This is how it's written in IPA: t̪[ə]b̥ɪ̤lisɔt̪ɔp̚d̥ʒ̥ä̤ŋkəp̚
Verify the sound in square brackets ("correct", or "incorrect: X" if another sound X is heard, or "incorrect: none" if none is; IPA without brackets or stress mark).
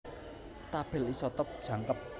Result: incorrect: a